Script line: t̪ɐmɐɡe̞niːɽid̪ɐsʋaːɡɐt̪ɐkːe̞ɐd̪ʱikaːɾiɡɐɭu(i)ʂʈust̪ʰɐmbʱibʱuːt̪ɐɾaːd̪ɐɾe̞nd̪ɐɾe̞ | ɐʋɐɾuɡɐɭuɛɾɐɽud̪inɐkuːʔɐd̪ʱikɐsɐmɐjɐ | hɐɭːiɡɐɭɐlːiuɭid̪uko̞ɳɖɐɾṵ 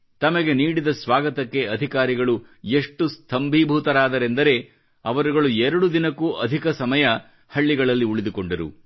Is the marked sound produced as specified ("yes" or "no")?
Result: no